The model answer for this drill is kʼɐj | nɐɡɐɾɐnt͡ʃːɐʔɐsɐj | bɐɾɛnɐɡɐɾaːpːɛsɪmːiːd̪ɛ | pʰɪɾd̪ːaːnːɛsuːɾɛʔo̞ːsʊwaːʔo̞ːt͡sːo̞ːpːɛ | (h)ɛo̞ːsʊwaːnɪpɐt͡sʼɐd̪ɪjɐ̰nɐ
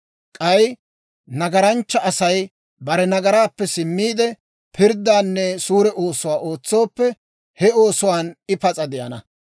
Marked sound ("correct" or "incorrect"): correct